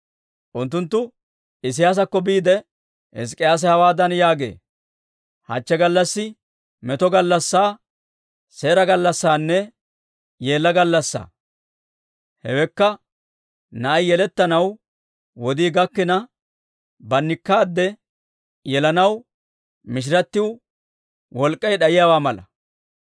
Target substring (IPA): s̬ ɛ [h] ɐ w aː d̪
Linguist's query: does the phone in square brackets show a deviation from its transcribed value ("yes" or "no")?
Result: no